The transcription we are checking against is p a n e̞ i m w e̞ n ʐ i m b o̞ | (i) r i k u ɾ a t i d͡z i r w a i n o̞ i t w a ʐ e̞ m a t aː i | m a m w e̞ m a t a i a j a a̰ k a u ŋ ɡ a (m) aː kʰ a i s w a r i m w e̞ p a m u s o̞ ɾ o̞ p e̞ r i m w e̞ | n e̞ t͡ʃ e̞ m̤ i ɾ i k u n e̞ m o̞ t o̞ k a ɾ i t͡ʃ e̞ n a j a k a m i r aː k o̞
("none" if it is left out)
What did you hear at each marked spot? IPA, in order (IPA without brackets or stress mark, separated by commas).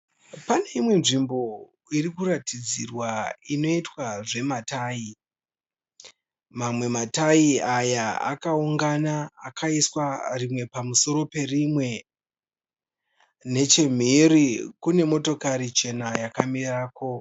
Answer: i, n